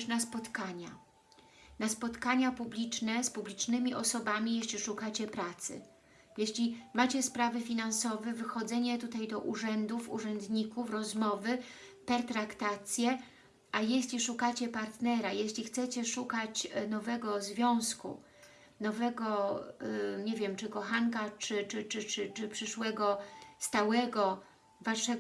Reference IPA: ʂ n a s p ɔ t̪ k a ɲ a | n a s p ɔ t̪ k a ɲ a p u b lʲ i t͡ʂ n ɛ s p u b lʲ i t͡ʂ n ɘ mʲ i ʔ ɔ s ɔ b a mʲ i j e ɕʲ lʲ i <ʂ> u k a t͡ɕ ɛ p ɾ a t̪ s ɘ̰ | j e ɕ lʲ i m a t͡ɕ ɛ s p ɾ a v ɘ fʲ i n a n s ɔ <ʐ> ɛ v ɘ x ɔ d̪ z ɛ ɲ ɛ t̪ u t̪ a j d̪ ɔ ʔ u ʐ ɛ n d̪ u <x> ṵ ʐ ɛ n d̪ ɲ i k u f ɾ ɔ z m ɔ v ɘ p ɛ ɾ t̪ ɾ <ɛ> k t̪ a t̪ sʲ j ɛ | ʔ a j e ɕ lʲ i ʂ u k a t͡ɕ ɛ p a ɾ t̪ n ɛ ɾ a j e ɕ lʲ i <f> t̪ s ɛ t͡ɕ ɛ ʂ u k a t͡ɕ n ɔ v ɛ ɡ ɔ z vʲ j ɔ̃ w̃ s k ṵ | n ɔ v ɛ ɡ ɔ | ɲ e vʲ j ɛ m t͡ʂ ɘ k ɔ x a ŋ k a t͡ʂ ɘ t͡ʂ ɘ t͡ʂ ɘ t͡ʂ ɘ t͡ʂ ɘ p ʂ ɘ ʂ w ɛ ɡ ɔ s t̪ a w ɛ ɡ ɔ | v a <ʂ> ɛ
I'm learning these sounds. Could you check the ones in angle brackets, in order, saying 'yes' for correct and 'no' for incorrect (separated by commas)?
yes, no, no, no, no, yes